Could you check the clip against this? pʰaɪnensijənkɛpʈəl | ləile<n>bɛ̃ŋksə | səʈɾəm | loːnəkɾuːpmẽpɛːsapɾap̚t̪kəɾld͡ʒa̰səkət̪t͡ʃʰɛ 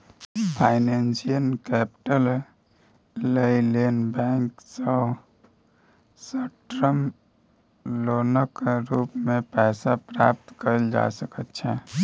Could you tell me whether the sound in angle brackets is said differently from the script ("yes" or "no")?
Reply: no